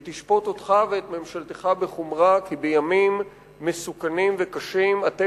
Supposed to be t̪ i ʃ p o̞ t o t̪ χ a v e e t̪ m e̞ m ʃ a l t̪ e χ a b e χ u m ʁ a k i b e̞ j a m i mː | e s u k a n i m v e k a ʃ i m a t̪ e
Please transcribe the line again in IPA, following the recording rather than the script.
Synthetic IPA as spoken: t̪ i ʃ p o̞ t o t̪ χ a v e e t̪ m e̞ m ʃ a l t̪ e χ a b e χ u m ʁ a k i b e̞ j a m i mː | e s u k a n i m v e k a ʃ i m a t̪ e